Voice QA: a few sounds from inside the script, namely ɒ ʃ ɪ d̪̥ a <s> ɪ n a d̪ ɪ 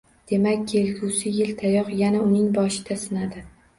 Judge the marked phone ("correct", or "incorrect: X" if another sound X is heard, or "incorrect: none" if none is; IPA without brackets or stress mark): correct